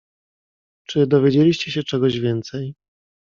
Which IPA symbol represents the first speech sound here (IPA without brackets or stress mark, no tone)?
t͡ʂ